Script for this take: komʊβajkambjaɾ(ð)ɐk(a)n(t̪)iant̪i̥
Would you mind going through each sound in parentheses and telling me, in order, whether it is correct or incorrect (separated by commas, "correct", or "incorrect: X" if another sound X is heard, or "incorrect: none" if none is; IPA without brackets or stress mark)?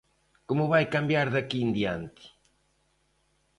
correct, incorrect: i, incorrect: d̪